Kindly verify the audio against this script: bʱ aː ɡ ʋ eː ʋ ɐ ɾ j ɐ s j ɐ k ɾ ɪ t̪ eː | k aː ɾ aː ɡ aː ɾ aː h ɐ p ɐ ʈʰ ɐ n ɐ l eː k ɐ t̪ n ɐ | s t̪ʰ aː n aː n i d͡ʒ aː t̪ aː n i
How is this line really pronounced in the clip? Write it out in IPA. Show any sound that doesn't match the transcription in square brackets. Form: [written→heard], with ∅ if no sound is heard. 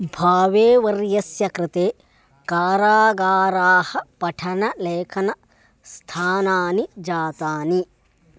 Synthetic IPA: bʱ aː [ɡ→∅] ʋ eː ʋ ɐ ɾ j ɐ s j ɐ k ɾ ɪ t̪ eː | k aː ɾ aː ɡ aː ɾ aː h ɐ p ɐ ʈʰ ɐ n ɐ l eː [k→kʰ] ɐ [t̪→∅] n ɐ | s t̪ʰ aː n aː n i d͡ʒ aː t̪ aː n i